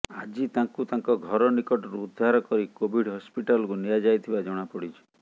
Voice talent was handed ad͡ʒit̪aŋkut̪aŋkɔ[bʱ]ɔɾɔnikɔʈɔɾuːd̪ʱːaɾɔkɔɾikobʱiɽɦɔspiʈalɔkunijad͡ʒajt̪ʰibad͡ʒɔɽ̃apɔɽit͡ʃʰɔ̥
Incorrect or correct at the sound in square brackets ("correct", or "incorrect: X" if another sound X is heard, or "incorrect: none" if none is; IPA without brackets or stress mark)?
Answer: incorrect: ɡʱ